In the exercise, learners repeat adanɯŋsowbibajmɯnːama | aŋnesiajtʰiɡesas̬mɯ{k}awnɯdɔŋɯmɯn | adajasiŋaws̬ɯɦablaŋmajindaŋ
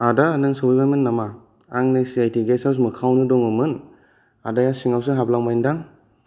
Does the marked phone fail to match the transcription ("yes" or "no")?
yes